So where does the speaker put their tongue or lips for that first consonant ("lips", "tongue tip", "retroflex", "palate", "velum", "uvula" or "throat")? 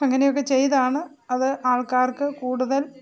velum